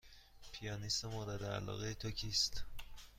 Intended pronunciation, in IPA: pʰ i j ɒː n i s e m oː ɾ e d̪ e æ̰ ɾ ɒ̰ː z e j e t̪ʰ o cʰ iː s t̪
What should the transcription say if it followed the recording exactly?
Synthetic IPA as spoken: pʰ i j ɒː n i s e m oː ɾ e d̪ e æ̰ l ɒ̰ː ɣ e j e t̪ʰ o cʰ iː s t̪